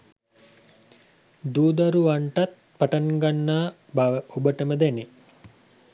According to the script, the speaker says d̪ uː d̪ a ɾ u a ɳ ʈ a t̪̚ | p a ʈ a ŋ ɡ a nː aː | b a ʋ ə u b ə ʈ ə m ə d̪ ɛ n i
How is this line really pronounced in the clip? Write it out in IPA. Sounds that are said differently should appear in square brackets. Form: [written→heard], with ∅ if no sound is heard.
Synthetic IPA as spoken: d̪ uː d̪ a ɾ u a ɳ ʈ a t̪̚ | p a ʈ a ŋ ɡ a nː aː | b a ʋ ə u b ə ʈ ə m ə d̪ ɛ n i